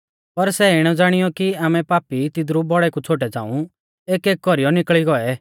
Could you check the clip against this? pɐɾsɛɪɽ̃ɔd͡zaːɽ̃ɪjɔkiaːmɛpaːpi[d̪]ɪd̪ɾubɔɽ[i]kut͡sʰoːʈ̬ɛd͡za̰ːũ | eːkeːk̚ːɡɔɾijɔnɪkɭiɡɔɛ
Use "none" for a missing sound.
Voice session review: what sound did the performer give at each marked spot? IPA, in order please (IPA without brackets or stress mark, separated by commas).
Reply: t̪, ɛ